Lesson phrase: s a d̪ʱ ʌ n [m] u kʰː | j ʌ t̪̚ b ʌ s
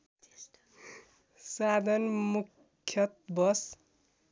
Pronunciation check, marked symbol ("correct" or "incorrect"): correct